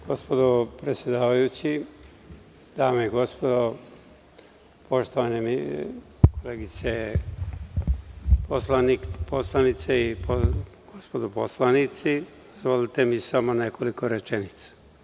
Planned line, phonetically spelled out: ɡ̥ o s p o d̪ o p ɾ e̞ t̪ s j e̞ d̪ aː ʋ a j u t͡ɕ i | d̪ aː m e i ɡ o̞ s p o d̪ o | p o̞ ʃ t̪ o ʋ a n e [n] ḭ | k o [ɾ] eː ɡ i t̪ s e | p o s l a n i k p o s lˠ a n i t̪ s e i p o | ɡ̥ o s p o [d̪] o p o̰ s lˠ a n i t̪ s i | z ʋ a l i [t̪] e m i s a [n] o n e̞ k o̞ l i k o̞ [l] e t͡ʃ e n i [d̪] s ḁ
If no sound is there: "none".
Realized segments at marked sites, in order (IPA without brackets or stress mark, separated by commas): m, l, d̪, t̪, m, ɾ, t̪